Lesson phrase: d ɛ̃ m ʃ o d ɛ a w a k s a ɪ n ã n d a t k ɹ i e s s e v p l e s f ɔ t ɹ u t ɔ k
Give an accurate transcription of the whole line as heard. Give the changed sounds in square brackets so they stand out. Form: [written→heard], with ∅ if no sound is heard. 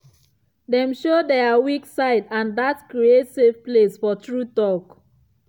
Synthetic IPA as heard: d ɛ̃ m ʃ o d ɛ a w [a→i] k s a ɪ [n→d] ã n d a t k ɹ i e [s→t] s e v p l e s f ɔ t ɹ u t ɔ k